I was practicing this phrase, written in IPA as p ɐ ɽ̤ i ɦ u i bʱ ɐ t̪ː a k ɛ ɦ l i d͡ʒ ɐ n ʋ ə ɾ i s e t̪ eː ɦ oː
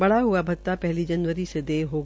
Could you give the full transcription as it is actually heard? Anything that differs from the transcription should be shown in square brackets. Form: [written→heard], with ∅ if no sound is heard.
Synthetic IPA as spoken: [p→b] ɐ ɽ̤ [i→a] ɦ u [i→a] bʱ ɐ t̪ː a [k→p] ɛ ɦ l i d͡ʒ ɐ n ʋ ə ɾ i s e [t̪→d̪] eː ɦ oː